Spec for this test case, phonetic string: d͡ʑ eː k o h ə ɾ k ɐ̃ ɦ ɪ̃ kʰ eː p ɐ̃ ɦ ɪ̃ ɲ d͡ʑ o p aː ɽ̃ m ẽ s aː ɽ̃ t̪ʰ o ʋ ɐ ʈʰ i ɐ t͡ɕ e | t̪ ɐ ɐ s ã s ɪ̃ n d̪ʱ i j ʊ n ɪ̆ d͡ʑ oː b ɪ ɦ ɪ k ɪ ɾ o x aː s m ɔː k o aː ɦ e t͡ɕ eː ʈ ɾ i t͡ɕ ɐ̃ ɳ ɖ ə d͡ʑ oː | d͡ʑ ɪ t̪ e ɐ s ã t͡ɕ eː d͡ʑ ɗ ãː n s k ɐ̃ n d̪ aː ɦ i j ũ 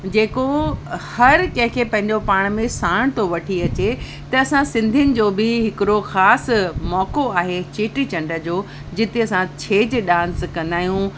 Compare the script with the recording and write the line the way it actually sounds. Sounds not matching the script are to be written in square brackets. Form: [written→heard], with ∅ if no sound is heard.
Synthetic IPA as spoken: d͡ʑ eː k o h [ə→ɐ] ɾ k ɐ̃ ɦ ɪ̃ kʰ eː p ɐ̃ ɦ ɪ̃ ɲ d͡ʑ o p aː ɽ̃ m ẽ s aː ɽ̃ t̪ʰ o ʋ ɐ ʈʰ i ɐ t͡ɕ e | t̪ ɐ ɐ s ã s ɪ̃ n d̪ʱ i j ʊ n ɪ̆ d͡ʑ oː b ɪ ɦ ɪ k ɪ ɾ o x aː s m ɔː k o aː ɦ e t͡ɕ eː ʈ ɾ i t͡ɕ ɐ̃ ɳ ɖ ə d͡ʑ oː | d͡ʑ ɪ t̪ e ɐ s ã [t͡ɕ→t͡ɕʰ] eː d͡ʑ ɗ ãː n s k ɐ̃ n d̪ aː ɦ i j ũ